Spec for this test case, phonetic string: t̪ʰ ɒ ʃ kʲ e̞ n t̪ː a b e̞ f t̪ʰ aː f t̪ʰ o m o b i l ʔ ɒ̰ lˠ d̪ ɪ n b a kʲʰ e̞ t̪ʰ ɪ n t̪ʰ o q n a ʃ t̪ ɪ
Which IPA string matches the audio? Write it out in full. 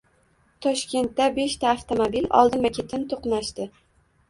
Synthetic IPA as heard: t̪ʰ ɒ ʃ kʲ e̞ n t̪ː a b e̞ ʃ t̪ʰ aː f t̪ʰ o m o b i l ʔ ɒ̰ lˠ d̪ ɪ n m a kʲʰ e̞ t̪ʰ ɪ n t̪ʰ o q n a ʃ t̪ ɪ